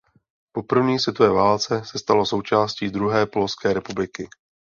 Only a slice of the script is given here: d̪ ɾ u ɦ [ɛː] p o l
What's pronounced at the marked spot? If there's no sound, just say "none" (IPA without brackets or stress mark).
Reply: ɛː